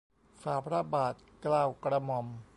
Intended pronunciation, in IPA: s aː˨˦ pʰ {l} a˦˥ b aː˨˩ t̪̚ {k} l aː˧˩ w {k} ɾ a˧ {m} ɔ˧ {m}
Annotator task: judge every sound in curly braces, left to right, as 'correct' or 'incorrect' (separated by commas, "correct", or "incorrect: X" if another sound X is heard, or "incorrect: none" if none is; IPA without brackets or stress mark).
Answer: incorrect: ɾ, correct, correct, correct, correct